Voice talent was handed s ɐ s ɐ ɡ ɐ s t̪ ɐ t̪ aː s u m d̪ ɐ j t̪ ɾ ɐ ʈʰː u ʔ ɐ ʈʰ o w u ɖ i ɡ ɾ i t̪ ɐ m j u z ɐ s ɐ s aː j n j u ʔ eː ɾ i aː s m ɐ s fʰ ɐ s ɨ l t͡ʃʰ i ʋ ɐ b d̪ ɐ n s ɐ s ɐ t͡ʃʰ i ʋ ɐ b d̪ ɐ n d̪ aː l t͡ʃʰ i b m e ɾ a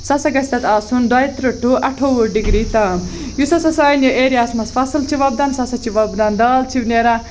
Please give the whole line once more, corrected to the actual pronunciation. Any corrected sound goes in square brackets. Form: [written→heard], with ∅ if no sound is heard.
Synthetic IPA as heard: s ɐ s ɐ ɡ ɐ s t̪ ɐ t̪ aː s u [m→n] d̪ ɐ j t̪ ɾ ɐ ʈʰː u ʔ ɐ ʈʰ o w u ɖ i ɡ ɾ i t̪ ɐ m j u [z→s] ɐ s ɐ s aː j n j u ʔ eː ɾ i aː s m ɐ s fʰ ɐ s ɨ l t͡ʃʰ i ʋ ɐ b d̪ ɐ n s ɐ s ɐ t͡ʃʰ i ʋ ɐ b d̪ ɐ n d̪ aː l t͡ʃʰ i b [m→n] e ɾ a